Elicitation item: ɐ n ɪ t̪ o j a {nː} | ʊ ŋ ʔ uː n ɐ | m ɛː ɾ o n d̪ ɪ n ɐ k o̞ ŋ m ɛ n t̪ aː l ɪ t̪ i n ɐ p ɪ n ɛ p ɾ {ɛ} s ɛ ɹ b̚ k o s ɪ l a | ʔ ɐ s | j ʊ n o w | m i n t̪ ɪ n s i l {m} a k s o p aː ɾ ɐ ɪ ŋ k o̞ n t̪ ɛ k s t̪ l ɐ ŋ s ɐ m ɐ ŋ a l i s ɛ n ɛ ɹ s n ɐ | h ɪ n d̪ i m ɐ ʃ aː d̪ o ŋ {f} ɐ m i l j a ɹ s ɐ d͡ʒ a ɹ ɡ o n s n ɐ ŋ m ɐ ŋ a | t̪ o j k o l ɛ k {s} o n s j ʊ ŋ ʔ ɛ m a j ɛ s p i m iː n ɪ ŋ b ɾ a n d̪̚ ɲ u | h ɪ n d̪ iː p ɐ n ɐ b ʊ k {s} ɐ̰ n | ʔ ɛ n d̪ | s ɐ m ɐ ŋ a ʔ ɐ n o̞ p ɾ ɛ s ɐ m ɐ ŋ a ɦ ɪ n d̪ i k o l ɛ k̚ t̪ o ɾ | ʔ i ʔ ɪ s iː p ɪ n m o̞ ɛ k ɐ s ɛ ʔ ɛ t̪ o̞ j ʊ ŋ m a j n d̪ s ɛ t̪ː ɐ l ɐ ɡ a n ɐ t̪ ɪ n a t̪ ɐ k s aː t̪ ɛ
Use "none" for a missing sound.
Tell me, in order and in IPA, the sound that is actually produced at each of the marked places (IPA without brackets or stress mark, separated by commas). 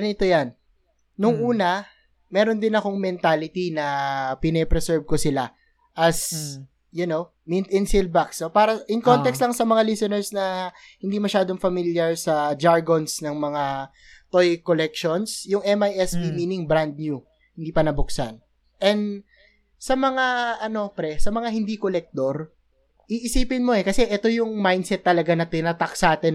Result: nː, ɛ, b, f, ʃ, s